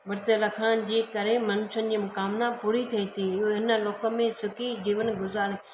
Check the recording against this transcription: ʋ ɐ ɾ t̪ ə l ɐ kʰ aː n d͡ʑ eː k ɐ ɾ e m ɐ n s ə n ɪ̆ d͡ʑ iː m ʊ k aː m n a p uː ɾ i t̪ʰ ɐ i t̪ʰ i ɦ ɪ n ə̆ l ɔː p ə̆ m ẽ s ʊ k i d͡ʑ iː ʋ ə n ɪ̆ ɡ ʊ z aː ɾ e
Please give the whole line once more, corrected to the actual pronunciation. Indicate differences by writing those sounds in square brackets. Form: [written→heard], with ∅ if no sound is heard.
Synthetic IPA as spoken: ʋ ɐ ɾ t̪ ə l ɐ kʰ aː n d͡ʑ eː k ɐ ɾ e m ɐ n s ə n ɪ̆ d͡ʑ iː m ʊ k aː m n a p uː ɾ i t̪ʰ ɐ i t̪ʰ i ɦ ɪ n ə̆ l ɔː [p→k] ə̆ m ẽ s ʊ k i d͡ʑ iː ʋ ə n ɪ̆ ɡ ʊ z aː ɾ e